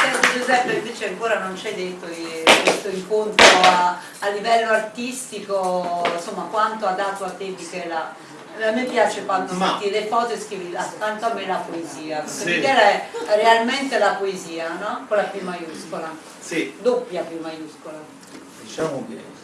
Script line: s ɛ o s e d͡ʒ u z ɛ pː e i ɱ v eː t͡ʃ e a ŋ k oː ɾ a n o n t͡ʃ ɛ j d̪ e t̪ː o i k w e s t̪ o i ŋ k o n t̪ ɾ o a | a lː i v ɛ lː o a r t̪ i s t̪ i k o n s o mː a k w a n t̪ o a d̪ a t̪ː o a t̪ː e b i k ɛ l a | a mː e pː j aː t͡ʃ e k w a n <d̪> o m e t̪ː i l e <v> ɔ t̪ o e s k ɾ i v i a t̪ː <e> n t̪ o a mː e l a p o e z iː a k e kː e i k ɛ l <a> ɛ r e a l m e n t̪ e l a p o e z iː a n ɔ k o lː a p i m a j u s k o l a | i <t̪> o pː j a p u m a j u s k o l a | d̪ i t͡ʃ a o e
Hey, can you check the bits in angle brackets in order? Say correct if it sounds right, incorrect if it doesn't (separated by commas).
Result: incorrect, incorrect, incorrect, correct, incorrect